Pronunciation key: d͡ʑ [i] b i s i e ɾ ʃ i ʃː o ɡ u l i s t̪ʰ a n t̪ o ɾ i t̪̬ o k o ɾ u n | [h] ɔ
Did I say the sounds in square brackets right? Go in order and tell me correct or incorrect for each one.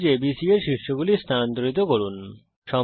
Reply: incorrect, incorrect

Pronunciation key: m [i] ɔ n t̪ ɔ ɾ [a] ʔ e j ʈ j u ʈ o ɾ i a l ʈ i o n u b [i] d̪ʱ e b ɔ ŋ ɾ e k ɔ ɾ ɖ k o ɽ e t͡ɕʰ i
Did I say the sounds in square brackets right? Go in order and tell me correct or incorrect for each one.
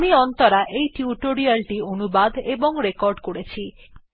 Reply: correct, correct, incorrect

